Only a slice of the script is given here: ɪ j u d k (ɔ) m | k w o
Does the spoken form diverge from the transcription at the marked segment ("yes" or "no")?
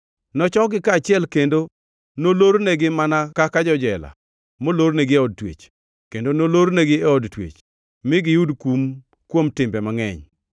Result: yes